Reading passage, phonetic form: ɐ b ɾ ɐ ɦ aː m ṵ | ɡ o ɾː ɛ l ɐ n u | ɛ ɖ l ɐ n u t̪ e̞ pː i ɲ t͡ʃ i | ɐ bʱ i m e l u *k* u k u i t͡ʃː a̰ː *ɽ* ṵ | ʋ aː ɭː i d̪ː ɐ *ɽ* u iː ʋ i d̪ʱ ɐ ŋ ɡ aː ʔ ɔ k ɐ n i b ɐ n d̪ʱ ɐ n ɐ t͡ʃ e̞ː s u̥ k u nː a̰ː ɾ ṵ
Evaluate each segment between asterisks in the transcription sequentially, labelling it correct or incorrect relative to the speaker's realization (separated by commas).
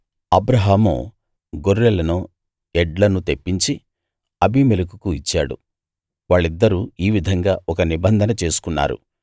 correct, correct, incorrect